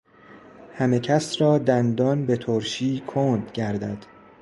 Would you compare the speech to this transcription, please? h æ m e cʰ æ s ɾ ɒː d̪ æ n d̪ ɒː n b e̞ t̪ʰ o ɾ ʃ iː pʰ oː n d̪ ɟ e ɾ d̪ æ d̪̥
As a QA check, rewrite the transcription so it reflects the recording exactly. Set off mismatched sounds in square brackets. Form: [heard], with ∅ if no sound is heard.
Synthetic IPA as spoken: h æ m e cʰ æ s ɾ ɒː d̪ æ n d̪ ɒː n b e̞ t̪ʰ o ɾ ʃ iː [kʰ] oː n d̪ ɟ [æ] ɾ d̪ æ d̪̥